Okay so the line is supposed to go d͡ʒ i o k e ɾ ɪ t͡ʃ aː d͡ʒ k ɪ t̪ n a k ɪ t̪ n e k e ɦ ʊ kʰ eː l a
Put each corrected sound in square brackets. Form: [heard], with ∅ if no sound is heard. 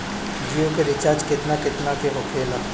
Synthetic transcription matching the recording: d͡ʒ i o k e ɾ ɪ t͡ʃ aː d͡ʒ k ɪ t̪ n a k ɪ t̪ n [a] k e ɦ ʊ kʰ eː l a